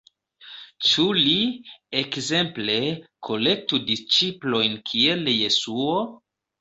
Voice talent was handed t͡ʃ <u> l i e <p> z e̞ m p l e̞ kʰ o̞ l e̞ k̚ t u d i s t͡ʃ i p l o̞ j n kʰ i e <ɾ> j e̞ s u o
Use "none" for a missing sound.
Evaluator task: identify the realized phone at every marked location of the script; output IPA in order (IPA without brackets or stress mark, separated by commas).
u, k, l